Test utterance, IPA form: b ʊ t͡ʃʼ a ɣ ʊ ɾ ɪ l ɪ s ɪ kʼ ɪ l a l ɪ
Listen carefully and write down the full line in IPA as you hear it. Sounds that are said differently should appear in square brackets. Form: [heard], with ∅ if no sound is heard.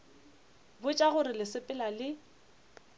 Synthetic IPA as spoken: b ʊ t͡ʃʼ a ɣ ʊ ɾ ɪ l ɪ s ɪ [pʼ] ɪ l a l ɪ